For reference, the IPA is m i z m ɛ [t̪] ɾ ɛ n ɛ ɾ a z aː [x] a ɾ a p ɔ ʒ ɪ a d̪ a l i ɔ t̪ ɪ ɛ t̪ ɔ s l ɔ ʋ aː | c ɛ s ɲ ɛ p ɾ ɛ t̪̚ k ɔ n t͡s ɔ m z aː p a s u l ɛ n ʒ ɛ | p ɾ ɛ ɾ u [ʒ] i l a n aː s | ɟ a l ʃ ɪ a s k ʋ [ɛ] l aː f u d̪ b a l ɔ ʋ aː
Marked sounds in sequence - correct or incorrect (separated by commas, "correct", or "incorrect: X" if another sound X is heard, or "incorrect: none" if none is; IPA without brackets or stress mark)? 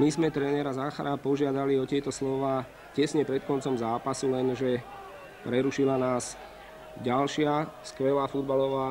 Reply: correct, correct, incorrect: ʃ, correct